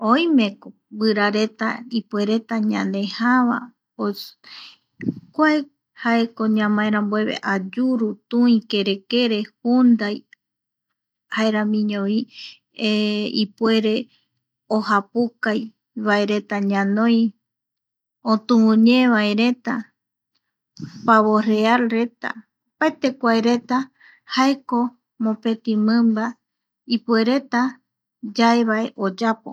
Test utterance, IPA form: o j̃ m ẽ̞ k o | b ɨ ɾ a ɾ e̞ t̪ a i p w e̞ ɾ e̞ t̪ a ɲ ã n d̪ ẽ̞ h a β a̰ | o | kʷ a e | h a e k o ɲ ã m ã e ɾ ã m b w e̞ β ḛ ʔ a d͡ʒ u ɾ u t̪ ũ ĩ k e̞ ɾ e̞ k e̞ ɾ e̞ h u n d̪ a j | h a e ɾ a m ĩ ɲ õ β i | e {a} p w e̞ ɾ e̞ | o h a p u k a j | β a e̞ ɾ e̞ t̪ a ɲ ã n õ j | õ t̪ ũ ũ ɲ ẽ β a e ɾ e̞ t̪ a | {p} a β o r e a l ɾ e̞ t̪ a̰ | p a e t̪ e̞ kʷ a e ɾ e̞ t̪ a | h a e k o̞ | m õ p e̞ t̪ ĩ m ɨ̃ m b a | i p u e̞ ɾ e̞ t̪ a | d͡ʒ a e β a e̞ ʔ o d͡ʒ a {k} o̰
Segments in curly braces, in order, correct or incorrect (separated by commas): incorrect, correct, incorrect